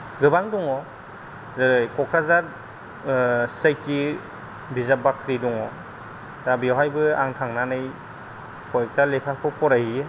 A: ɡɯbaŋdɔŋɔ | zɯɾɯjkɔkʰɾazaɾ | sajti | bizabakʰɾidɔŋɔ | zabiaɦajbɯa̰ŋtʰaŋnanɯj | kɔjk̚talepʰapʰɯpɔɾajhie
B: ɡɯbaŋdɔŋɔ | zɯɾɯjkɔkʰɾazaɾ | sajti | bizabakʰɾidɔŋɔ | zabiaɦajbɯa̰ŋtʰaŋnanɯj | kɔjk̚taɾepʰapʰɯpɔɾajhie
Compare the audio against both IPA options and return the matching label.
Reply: A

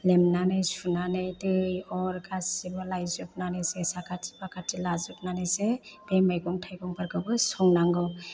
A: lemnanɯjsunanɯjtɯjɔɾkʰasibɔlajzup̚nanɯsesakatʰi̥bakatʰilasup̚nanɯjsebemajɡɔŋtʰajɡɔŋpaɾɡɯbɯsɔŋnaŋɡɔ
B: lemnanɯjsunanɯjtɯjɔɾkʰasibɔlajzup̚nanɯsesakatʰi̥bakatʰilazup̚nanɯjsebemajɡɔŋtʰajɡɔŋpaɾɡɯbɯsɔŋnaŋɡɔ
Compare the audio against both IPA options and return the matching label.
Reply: B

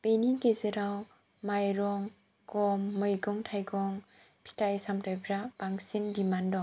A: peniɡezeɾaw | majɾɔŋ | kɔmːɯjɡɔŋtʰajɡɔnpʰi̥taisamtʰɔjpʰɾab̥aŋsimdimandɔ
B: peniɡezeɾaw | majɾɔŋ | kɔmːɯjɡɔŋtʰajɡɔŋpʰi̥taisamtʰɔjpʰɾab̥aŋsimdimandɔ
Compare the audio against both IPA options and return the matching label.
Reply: B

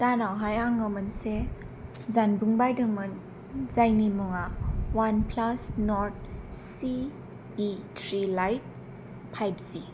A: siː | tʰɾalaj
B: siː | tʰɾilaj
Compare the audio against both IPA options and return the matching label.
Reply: B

